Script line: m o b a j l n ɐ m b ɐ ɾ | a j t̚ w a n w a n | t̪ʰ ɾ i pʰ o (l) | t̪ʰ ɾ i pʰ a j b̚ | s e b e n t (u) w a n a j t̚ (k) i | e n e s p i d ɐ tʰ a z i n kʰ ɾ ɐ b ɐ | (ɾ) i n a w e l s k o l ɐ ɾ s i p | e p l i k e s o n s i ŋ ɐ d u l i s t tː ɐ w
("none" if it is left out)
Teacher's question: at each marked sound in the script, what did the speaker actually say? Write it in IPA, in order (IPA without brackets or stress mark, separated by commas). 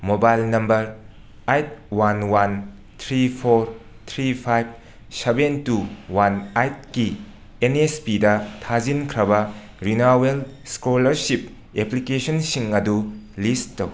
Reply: ɾ, u, k, ɾ